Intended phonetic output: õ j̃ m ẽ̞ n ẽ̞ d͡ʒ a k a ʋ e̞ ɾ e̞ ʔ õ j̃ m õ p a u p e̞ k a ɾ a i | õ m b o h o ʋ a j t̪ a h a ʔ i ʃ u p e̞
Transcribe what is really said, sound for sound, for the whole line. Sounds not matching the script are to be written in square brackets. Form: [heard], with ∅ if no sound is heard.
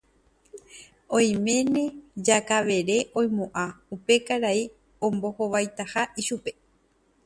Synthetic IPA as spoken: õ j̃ m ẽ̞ n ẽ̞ d͡ʒ a k a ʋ e̞ ɾ e̞ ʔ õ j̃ m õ [ʔ] a u p e̞ k a ɾ a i | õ m b o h o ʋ a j t̪ a h a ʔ i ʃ u p e̞